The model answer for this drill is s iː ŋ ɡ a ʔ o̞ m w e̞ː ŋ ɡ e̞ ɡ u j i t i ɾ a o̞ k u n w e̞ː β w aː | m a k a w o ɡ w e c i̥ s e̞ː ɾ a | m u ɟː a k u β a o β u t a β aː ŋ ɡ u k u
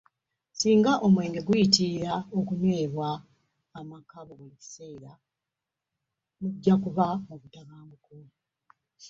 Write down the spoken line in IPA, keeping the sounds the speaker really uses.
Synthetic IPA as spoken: s iː ŋ ɡ a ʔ o̞ m w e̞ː ŋ ɡ e̞ ɡ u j i t i ɾ a o̞ k u n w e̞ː β w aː | m a k a β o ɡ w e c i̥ s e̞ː ɾ a | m u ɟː a k u β a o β u t a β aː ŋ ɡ u k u